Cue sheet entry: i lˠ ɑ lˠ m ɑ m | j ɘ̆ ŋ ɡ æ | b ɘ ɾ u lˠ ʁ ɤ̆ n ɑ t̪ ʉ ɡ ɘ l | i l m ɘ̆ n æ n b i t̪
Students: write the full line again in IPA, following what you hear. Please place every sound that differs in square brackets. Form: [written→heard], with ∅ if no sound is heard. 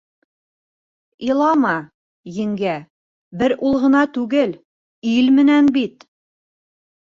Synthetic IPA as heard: i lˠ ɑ [lˠ→∅] m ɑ [m→∅] | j ɘ̆ ŋ ɡ æ | b ɘ ɾ u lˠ ʁ ɤ̆ n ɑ t̪ ʉ ɡ ɘ l | i l m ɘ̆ n æ n b i t̪